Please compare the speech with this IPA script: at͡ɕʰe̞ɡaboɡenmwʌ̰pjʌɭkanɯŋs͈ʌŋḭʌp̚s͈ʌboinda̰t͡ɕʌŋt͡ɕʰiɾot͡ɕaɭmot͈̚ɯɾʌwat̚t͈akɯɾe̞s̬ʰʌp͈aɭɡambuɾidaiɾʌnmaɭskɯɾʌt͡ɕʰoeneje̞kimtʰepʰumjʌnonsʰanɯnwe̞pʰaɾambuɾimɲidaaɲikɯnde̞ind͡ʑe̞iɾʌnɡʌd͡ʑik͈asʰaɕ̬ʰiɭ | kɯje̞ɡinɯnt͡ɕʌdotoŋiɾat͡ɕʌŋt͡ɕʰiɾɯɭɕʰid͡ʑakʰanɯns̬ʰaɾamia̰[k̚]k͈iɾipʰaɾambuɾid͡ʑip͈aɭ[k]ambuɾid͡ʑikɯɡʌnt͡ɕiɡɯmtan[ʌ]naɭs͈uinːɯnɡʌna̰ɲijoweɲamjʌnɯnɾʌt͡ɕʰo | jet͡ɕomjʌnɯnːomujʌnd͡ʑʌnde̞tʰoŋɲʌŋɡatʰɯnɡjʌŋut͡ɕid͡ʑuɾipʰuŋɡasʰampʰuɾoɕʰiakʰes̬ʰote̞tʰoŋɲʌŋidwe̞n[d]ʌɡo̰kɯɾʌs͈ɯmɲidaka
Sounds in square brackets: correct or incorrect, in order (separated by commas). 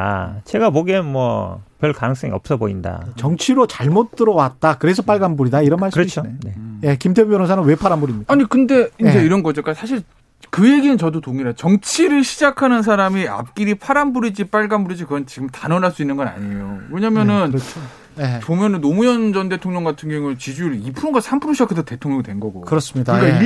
incorrect, incorrect, correct, incorrect